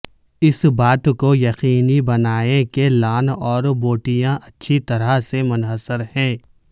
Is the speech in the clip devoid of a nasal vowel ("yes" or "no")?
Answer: no